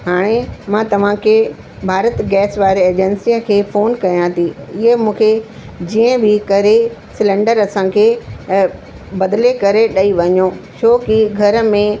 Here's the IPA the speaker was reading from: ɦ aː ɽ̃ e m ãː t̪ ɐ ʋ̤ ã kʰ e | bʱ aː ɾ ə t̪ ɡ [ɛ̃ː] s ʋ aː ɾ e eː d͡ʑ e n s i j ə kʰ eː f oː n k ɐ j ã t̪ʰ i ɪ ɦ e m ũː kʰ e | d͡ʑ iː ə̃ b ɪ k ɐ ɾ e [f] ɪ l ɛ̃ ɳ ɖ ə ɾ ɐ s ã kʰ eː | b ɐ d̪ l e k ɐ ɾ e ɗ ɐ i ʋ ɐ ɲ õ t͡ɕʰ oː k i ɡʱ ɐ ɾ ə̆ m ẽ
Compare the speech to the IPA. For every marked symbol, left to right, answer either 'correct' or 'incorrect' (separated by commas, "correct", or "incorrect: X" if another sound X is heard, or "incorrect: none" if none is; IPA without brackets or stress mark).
incorrect: ɛː, incorrect: s